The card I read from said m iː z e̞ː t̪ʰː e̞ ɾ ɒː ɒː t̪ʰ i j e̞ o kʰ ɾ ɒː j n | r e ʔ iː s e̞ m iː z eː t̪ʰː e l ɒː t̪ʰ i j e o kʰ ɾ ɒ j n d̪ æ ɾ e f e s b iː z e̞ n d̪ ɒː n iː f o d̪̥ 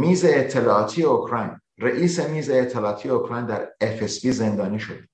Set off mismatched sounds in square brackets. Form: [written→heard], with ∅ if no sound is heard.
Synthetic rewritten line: m iː z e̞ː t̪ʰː e̞ [ɾ→l] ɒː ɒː t̪ʰ i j e̞ o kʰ ɾ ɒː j n | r e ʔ iː s e̞ m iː z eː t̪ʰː e l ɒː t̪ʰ i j e o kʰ ɾ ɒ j n d̪ æ ɾ e f e s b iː z e̞ n d̪ ɒː n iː [f→ʃ] o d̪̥